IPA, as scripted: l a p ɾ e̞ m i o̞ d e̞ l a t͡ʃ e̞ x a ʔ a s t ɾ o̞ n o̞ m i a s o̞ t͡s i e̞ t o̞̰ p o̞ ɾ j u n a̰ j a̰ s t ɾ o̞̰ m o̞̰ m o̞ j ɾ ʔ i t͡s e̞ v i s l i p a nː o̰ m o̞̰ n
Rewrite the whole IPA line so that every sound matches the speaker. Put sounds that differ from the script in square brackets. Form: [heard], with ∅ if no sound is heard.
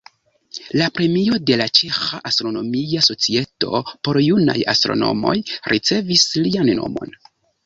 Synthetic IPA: l a p ɾ e̞ m i o̞ d e̞ l a t͡ʃ e̞ x a ʔ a s t ɾ o̞ n o̞ m i a s o̞ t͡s i e̞ t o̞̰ p o̞ ɾ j u n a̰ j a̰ s t ɾ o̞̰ [n] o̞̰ m o̞ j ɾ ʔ i t͡s e̞ v i s l i [∅] a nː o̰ m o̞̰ n

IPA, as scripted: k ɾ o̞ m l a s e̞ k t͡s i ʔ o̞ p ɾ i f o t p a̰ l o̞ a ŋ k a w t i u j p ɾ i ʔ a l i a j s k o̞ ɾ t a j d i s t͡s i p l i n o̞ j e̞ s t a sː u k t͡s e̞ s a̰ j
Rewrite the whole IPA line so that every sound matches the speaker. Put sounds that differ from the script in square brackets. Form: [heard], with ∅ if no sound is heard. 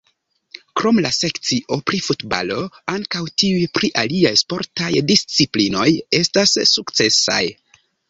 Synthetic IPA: k ɾ o̞ m l a s e̞ k t͡s i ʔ o̞ p ɾ i f [u] t [b] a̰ l o̞ a ŋ k a w t i u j p ɾ i ʔ a l i a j s [p] o̞ ɾ t a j d i s t͡s i p l i n o̞ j e̞ s t a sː u k t͡s e̞ s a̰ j

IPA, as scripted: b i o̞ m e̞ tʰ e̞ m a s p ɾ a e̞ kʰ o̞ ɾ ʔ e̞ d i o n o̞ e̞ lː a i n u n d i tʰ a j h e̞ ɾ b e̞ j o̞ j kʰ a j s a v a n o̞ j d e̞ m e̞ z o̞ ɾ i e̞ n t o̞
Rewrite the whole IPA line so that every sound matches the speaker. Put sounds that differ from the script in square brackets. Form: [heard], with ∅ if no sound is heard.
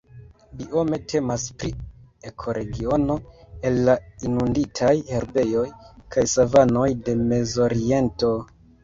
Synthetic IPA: b i o̞ m e̞ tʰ e̞ m a s p ɾ [i] e̞ kʰ o̞ ɾ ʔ e̞ [ɡ] i o n o̞ e̞ lː a i n u n d i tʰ a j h e̞ ɾ b e̞ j o̞ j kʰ a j s a v a n o̞ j d e̞ m e̞ z o̞ ɾ i e̞ n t o̞

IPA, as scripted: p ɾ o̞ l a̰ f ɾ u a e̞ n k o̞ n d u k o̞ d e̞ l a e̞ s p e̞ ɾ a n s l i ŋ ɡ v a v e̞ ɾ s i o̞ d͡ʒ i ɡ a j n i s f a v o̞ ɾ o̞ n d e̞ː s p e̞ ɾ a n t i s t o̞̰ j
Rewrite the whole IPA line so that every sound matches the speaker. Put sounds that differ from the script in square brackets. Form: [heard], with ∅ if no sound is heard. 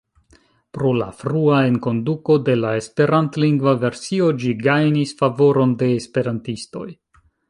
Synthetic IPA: p ɾ o̞ l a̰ f ɾ u a e̞ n k o̞ n d u k o̞ d e̞ l a e̞ s p e̞ ɾ a n [t] l i ŋ ɡ v a v e̞ ɾ s i o̞ d͡ʒ i ɡ a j n i s f a v o̞ ɾ o̞ n d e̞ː s p e̞ ɾ a n t i s t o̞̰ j

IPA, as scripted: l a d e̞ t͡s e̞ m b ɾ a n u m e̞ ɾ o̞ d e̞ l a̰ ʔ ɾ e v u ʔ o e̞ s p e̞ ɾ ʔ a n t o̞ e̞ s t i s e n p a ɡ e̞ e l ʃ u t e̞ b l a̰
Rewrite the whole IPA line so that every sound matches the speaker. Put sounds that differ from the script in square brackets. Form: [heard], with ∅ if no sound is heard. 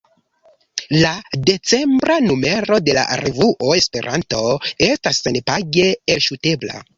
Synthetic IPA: l a d e̞ t͡s e̞ m b ɾ a n u m e̞ ɾ o̞ d e̞ l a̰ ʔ ɾ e v u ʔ o e̞ s p e̞ ɾ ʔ a n t o̞ e̞ s t [a] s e n p a ɡ e̞ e l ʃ u t e̞ b l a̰

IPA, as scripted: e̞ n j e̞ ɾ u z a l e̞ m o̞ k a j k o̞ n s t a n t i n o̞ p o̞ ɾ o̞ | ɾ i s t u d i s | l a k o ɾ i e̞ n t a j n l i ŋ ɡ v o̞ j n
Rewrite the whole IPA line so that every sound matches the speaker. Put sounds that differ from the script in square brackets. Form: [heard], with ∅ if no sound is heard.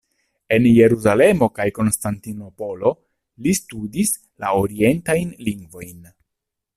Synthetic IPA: e̞ n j e̞ ɾ u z a l e̞ m o̞ k a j k o̞ n s t a n t i n o̞ p o̞ [l] o̞ | [l] i s t u d i s | l a [∅] o ɾ i e̞ n t a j n l i ŋ ɡ v o̞ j n

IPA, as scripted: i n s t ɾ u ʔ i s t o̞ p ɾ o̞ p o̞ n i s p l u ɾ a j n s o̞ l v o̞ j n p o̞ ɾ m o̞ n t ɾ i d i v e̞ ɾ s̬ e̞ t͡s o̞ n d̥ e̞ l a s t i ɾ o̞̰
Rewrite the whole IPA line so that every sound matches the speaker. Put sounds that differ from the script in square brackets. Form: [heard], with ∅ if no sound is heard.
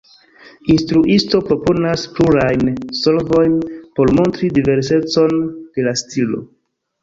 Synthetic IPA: i n s t ɾ u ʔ i s t o̞ p ɾ o̞ p o̞ n [a] s p l u ɾ a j n s o̞ l v o̞ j n p o̞ ɾ m o̞ n t ɾ i d i v e̞ ɾ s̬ e̞ t͡s o̞ n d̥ e̞ l a s t i [l] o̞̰

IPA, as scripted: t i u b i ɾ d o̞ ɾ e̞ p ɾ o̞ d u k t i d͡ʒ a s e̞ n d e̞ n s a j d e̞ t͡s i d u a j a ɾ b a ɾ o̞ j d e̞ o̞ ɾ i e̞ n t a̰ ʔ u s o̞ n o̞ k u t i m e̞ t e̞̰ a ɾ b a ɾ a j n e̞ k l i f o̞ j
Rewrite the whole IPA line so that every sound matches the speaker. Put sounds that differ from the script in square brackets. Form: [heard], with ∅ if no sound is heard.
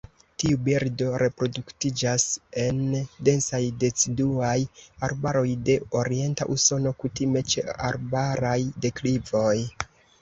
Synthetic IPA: t i u b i ɾ d o̞ ɾ e̞ p ɾ o̞ d u k t i d͡ʒ a s e̞ n d e̞ n s a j d e̞ t͡s i d u a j a ɾ b a ɾ o̞ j d e̞ o̞ ɾ i e̞ n t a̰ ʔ u s o̞ n o̞ k u t i m e̞ [t͡ʃ] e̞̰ a ɾ b a ɾ a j [d] e̞ k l i [v] o̞ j

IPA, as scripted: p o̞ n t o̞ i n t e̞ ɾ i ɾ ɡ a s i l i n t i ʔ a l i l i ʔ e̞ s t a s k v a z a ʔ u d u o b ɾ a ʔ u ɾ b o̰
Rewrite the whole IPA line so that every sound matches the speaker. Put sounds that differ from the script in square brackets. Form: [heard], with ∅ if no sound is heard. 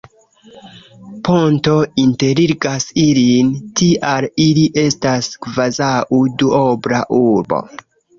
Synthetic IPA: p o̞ n t o̞ i n t e̞ ɾ i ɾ ɡ a s i l i n t i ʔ a l i l i ʔ e̞ s t a s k v a z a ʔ u d u o b ɾ a ʔ u ɾ b o̰

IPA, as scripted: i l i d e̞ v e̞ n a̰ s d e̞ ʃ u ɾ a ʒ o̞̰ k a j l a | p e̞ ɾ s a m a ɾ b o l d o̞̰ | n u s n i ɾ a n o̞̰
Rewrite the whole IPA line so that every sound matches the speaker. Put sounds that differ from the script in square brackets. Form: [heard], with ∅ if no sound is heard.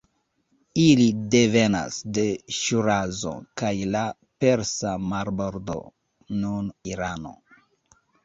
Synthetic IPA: i l i d e̞ v e̞ n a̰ s d e̞ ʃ u ɾ a [z] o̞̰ k a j l a | p e̞ ɾ s a m a ɾ b o [ɾ] d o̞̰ | n u [∅] n i ɾ a n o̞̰

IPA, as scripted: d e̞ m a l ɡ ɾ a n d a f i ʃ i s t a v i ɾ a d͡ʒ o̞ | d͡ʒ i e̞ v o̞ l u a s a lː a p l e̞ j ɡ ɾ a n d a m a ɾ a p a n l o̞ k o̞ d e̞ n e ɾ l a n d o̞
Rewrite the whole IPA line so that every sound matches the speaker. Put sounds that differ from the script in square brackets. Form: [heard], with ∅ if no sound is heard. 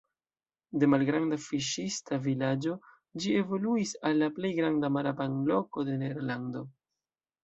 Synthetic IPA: d e̞ m a l ɡ ɾ a n d a f i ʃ i s t a v i [l] a d͡ʒ o̞ | d͡ʒ i e̞ v o̞ l u [i] s a lː a p l e̞ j ɡ ɾ a n d a m a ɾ a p a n l o̞ k o̞ d e̞ n e ɾ l a n d o̞

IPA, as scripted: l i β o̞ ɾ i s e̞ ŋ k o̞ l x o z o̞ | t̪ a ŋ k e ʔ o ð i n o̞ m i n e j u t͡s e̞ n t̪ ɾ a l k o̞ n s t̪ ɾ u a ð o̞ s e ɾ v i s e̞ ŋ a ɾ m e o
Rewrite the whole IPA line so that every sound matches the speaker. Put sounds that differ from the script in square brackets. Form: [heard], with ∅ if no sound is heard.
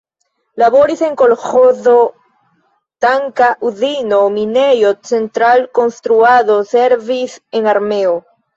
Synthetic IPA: l [a] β o̞ ɾ i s e̞ ŋ k o̞ l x o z o̞ | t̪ a ŋ k [a] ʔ [u] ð i n o̞ m i n e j [o] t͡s e̞ n t̪ ɾ a l k o̞ n s t̪ ɾ u a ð o̞ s e ɾ v i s e̞ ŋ a ɾ m e o

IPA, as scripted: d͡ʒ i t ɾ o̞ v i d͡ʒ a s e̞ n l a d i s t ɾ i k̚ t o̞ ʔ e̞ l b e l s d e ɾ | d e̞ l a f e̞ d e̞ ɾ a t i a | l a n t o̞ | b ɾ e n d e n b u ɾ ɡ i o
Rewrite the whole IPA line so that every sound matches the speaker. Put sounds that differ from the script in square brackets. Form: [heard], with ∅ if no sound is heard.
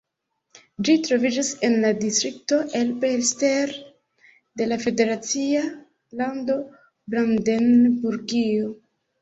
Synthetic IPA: d͡ʒ i t ɾ o̞ v i d͡ʒ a s e̞ n l a d i s t ɾ i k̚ t o̞ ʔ e̞ l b e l s [t] e ɾ | d e̞ l a f e̞ d e̞ ɾ a [t͡s] i a | l a n [d] o̞ | b ɾ [a] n d e n b u ɾ ɡ i o

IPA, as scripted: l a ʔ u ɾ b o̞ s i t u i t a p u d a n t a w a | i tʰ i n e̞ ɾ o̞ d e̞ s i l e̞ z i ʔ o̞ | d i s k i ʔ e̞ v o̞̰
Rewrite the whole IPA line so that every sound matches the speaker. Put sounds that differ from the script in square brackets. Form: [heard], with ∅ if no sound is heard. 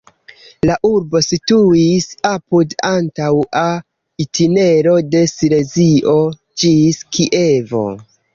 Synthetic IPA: l a ʔ u ɾ b o̞ s i t u i [s] a p u d a n t a w a | i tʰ i n e̞ ɾ o̞ d e̞ s i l e̞ z i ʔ o̞ | [d͡ʒ] i s k i ʔ e̞ v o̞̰

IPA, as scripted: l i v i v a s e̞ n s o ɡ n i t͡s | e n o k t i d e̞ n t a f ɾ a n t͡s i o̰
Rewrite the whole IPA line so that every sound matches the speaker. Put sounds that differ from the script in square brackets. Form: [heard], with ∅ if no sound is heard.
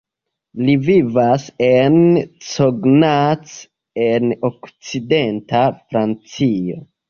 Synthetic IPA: l i v i v a s e̞ n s o ɡ n [a] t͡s | e n o k [t͡s] i d e̞ n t a f ɾ a n t͡s i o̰

